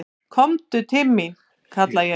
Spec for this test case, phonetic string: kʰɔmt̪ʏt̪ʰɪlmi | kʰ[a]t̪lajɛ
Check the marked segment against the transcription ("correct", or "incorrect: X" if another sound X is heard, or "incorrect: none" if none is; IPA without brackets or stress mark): correct